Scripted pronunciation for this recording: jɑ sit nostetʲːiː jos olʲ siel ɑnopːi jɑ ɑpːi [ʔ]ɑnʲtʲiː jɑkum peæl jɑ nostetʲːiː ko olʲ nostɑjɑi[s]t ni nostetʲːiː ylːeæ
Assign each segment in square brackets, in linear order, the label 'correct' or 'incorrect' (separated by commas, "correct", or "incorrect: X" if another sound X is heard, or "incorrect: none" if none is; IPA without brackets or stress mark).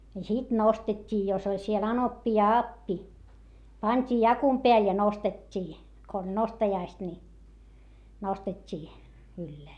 incorrect: p, correct